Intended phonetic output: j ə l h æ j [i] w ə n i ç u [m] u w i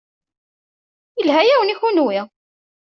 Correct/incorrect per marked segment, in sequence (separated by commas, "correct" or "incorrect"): incorrect, incorrect